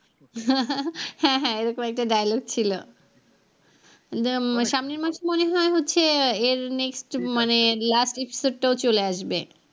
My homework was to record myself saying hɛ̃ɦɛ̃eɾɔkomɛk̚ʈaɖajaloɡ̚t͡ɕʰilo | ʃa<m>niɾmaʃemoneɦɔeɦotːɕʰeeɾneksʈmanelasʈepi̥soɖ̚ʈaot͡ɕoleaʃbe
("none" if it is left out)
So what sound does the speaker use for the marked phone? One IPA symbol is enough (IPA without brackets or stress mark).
m